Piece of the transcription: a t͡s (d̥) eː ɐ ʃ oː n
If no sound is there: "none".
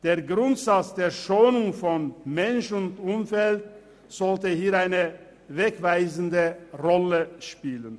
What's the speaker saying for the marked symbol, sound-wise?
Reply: d̥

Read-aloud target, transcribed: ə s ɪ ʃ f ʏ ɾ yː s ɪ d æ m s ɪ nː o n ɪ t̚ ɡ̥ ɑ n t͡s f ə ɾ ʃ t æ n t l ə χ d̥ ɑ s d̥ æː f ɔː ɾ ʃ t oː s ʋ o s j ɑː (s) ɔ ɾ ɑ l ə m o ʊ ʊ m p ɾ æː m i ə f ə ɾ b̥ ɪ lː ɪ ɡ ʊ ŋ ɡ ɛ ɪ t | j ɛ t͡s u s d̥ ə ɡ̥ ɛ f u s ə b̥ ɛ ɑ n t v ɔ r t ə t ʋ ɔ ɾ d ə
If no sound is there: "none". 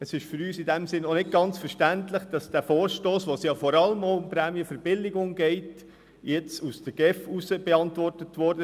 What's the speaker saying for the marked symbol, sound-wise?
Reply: f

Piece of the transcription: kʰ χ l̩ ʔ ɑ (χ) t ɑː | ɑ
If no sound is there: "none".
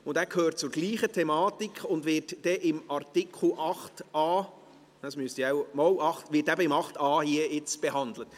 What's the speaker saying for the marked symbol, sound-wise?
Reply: χ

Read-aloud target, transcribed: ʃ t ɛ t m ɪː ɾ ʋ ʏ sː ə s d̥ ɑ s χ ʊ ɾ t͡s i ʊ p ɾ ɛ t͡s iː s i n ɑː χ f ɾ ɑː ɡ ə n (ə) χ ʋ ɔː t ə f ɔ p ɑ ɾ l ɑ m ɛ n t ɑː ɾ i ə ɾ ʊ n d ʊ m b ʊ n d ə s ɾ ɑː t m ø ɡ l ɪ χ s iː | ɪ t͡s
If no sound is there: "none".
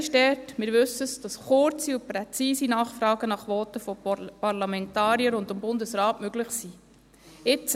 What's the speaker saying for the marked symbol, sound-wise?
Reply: ɑ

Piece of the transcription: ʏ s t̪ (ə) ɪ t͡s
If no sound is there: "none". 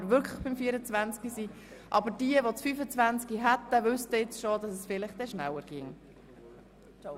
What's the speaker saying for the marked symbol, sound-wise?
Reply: ə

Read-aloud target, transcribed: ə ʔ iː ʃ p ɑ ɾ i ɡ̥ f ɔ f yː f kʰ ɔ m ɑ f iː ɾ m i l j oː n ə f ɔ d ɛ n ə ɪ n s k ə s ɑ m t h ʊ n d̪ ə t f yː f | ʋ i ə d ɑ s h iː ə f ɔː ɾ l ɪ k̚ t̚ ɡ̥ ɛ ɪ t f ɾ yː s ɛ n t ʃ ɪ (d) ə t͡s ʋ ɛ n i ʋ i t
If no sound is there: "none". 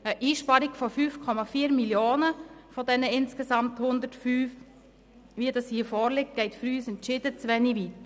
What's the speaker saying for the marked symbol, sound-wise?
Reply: d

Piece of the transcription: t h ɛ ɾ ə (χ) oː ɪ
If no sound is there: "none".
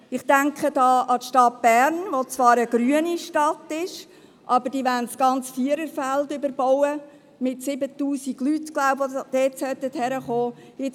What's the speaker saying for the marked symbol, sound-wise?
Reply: χ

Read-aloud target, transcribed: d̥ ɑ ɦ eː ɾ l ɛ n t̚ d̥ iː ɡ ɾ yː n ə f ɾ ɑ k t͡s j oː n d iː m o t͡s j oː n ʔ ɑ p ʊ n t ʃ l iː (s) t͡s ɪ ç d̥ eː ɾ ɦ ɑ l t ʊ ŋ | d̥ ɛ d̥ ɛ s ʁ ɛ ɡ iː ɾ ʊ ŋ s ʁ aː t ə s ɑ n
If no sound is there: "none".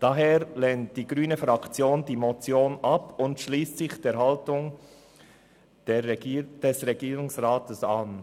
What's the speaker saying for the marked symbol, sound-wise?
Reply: s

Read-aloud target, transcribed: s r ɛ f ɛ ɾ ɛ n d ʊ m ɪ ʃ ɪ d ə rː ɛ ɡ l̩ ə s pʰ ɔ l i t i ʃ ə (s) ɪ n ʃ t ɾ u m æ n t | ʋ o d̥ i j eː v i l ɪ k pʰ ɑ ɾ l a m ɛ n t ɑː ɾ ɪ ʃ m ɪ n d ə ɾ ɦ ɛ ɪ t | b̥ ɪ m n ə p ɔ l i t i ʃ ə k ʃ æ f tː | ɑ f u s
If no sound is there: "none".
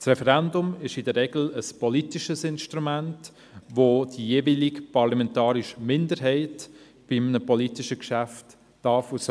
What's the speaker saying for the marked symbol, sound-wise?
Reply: s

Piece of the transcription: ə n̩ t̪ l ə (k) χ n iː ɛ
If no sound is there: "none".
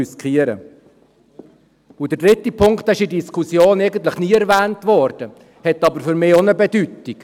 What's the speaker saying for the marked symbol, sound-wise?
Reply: none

